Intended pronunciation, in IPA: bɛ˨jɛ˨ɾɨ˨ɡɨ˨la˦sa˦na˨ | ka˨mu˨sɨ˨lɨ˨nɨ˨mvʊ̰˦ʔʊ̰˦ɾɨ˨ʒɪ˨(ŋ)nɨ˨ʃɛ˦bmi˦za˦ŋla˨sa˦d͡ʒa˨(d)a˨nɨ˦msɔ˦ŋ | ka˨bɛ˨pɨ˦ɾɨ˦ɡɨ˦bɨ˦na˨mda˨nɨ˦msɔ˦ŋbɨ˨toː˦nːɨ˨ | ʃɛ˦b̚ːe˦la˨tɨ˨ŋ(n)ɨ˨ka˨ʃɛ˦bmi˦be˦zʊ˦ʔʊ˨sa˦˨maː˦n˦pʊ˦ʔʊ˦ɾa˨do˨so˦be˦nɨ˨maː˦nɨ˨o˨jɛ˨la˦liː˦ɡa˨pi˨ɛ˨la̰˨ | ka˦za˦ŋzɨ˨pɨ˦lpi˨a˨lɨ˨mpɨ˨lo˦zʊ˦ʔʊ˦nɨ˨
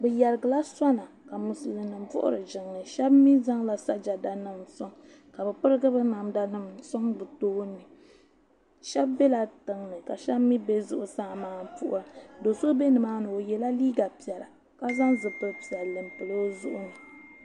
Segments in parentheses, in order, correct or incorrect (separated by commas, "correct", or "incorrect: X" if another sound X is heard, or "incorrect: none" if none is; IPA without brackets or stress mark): correct, correct, correct